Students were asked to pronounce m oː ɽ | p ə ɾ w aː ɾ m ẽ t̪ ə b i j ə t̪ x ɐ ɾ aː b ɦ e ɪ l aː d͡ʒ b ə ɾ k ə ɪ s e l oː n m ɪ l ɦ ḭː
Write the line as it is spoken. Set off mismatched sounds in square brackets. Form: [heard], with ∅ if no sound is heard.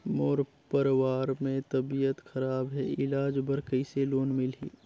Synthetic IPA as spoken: m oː [ɾ] | p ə ɾ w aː ɾ m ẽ t̪ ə b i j ə t̪ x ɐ ɾ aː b ɦ [ɛ] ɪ l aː d͡ʒ b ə ɾ k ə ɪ s e l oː n m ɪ l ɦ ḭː

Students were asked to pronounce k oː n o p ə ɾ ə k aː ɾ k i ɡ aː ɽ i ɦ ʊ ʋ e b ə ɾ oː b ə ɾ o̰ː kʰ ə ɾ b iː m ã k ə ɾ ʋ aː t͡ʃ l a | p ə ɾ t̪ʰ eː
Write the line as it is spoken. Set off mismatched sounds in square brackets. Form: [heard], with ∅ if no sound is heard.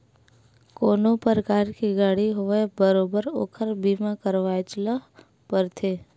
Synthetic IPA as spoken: k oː n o p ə ɾ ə k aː ɾ k i ɡ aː ɽ i ɦ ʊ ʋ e b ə ɾ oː b ə ɾ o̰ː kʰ ə ɾ b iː m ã k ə ɾ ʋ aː t͡ʃ l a | p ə ɾ t̪ʰ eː

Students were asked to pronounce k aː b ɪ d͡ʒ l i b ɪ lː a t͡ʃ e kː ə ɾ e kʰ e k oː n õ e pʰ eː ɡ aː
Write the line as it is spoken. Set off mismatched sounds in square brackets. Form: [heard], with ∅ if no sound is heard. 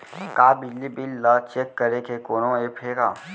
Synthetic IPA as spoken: k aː b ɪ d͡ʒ l i b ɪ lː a t͡ʃ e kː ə ɾ e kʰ e k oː n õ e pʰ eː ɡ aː

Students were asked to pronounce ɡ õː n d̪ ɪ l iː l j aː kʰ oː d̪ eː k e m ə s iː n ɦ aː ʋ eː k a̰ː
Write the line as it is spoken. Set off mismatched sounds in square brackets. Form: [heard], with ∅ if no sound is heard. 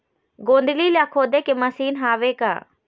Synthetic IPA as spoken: ɡ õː n d̪ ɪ l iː l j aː kʰ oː d̪ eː k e m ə s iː n ɦ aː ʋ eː k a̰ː

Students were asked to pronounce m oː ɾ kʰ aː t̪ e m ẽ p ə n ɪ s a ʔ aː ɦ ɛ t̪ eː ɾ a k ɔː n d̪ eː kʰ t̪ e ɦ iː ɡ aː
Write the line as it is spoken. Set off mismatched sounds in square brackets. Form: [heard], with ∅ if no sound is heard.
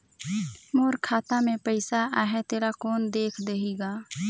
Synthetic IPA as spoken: m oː ɾ kʰ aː t̪ [a] m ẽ p ə [∅] ɪ s a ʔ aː ɦ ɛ t̪ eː ɾ a k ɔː n d̪ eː kʰ [d̪] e ɦ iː ɡ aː

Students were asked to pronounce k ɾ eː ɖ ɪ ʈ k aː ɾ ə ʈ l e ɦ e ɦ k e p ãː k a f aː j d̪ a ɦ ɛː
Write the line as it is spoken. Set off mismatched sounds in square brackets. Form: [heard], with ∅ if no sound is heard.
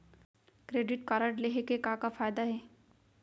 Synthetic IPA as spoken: k ɾ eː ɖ ɪ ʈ k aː ɾ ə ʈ l e ɦ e [∅] k e [k] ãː k a f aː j d̪ a ɦ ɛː

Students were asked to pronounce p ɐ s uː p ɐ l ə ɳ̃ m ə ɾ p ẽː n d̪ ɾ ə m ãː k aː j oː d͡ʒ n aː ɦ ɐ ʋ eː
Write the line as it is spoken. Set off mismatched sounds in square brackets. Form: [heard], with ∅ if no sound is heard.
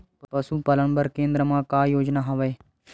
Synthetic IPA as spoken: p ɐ s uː p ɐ l ə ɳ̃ [b] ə ɾ [k] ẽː n d̪ ɾ ə m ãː k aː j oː d͡ʒ n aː ɦ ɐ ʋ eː

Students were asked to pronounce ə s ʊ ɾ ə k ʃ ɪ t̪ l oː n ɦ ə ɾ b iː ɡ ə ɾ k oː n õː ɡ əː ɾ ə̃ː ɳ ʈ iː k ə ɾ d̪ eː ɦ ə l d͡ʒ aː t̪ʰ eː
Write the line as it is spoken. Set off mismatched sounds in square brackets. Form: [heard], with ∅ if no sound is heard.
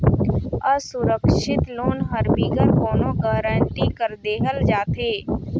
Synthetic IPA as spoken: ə s ʊ ɾ ə k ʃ ɪ t̪ l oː n ɦ ə ɾ b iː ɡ ə ɾ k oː n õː ɡ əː ɾ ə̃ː ɳ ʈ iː k ə ɾ d̪ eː ɦ ə l d͡ʒ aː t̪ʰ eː

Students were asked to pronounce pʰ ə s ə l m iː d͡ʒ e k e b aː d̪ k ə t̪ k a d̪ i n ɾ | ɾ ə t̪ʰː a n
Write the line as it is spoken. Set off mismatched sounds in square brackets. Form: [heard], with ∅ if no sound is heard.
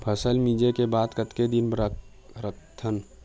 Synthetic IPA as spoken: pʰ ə s ə l m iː d͡ʒ e k e b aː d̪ k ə t̪ k [e] d̪ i n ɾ | ɾ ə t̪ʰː [ə] n

